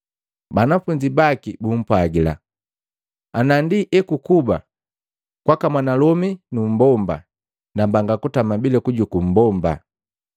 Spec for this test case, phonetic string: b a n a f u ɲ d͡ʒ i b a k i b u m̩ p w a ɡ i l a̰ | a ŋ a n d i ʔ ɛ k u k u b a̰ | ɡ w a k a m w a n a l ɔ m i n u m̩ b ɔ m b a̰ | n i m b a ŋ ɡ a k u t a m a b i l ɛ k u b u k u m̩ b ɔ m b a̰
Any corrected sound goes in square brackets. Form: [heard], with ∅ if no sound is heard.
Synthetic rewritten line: b a n a f u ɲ d͡ʒ i b a k i b u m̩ p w a ɡ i l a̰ | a [n] a n d i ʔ ɛ k u k u b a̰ | [k] w a k a m w a n a l ɔ m i n u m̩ b ɔ m b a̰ | n [a] m b a ŋ ɡ a k u t a m a b i l ɛ k u [ɟ] u k u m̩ b ɔ m b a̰